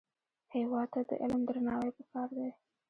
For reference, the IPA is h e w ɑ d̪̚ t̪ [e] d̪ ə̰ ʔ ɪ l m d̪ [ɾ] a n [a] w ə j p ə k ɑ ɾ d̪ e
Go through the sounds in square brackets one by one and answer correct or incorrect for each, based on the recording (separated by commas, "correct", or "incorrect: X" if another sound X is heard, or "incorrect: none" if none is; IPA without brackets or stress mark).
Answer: incorrect: a, correct, incorrect: ɑ